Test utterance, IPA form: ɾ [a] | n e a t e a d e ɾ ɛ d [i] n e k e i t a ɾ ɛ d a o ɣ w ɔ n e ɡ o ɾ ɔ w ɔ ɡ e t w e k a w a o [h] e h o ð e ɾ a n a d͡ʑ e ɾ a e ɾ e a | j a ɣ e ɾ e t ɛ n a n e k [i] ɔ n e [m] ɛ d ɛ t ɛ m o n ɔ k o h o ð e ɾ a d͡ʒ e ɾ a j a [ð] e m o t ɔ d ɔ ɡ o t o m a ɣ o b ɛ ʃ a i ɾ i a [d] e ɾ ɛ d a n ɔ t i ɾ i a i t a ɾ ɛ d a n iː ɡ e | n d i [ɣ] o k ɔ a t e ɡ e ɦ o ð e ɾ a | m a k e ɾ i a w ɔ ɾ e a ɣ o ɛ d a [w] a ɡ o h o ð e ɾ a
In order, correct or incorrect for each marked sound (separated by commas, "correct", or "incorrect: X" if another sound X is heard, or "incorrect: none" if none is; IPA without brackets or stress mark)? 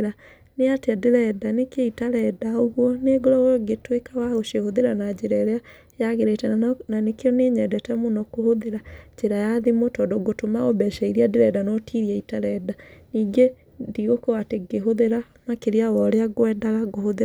correct, incorrect: a, incorrect: ʃ, incorrect: e, incorrect: ɲ, correct, correct, correct, incorrect: ɣ